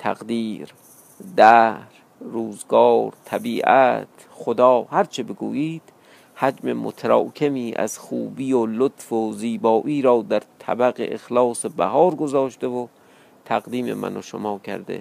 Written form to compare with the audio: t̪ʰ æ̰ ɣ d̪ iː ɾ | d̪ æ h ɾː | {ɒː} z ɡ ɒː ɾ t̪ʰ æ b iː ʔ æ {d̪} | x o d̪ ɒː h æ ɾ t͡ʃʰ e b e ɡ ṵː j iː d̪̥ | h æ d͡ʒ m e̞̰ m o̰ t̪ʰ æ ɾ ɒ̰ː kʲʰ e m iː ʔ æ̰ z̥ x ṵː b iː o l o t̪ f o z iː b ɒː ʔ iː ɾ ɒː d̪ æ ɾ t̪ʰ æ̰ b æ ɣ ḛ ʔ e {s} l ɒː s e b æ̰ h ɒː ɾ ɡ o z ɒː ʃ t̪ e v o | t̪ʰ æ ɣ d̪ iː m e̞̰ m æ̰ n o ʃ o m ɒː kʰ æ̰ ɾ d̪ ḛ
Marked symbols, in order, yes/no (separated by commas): no, no, no